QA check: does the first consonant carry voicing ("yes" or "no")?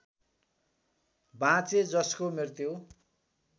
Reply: yes